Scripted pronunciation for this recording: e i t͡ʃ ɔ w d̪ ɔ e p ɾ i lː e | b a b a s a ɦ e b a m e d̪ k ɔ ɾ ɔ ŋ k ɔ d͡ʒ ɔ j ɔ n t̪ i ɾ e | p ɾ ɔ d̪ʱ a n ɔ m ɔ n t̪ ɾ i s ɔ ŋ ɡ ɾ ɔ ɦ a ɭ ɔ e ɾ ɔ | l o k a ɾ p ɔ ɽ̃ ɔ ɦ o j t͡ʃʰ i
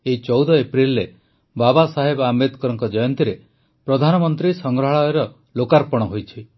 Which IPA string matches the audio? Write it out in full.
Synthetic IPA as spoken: e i t͡ʃ ɔ w d̪ ɔ e p ɾ i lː e | b a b a s a ɦ e b a m e d̪ k ɔ ɾ ɔ ŋ k ɔ d͡ʒ ɔ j ɔ n t̪ i ɾ e | p ɾ ɔ d̪ʱ a n ɔ m ɔ n t̪ ɾ i s ɔ ŋ ɡ ɾ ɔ ɦ a ɭ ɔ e ɾ ɔ | l o k a ɾ p ɔ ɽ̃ ɔ ɦ o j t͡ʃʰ i

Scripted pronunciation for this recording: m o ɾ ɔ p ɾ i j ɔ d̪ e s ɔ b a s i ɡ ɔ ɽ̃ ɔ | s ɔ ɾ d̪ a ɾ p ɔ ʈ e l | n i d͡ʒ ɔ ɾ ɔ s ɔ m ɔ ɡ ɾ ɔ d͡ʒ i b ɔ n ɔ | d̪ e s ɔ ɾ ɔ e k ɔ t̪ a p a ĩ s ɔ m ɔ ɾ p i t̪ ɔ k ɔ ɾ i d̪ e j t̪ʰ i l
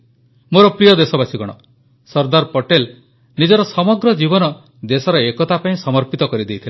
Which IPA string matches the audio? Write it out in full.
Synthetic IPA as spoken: m o ɾ ɔ p ɾ i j ɔ d̪ e s ɔ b a s i ɡ ɔ ɽ̃ ɔ | s ɔ ɾ d̪ a ɾ p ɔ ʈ e l | n i d͡ʒ ɔ ɾ ɔ s ɔ m ɔ ɡ ɾ ɔ d͡ʒ i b ɔ n ɔ | d̪ e s ɔ ɾ ɔ e k ɔ t̪ a p a ĩ s ɔ m ɔ ɾ p i t̪ ɔ k ɔ ɾ i d̪ e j t̪ʰ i l

